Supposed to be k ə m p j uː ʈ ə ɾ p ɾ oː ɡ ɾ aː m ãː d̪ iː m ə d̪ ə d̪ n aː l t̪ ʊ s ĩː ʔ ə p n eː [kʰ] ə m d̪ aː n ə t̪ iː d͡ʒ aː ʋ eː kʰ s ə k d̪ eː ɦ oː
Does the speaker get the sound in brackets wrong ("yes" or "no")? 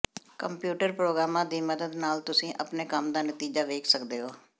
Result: yes